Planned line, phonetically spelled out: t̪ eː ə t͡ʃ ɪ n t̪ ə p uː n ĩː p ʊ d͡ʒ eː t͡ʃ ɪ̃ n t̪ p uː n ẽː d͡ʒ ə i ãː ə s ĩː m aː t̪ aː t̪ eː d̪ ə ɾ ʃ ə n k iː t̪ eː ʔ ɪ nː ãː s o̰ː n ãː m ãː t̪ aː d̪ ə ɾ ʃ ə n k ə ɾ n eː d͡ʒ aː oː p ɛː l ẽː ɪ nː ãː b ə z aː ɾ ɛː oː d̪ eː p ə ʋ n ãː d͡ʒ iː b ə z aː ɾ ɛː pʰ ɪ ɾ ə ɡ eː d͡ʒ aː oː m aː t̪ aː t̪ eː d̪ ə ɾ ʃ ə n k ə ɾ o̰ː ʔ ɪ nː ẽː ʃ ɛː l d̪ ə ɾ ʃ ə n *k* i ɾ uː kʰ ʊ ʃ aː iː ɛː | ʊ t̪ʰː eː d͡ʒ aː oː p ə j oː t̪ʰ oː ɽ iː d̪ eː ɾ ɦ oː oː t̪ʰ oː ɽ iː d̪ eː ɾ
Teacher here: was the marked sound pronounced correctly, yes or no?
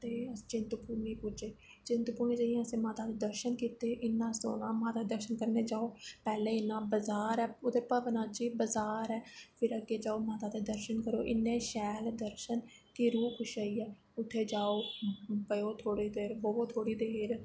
yes